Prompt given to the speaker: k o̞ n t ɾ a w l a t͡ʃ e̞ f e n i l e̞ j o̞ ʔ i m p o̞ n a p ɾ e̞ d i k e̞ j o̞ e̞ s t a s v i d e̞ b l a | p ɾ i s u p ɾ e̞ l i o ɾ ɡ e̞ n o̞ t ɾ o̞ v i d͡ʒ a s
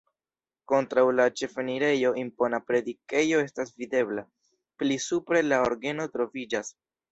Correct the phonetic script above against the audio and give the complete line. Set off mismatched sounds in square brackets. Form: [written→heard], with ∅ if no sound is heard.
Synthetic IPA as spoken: k o̞ n t ɾ a w l a t͡ʃ e̞ f e n i [l→ɾ] e̞ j o̞ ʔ i m p o̞ n a p ɾ e̞ d i k e̞ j o̞ e̞ s t a s v i d e̞ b l a | p [ɾ→l] i s u p ɾ e̞ l [i→a] o ɾ ɡ e̞ n o̞ t ɾ o̞ v i d͡ʒ a s